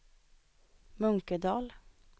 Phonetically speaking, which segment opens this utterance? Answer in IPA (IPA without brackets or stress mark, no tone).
m